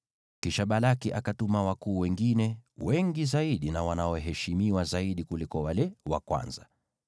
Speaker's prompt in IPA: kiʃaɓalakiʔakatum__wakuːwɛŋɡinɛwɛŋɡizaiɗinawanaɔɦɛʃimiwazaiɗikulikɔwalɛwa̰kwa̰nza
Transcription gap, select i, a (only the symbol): a